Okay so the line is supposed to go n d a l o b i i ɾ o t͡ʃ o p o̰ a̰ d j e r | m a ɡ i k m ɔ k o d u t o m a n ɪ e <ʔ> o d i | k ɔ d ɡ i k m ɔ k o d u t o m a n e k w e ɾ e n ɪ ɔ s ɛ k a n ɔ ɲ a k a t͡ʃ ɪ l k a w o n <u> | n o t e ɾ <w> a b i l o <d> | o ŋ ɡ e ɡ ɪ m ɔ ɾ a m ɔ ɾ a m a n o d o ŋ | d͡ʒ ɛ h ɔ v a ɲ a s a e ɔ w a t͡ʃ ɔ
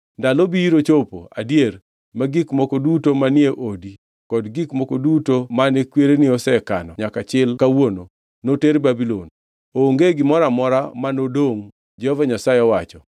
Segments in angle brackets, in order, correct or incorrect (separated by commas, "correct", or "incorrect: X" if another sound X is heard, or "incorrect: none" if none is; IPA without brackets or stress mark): correct, incorrect: o, incorrect: b, incorrect: n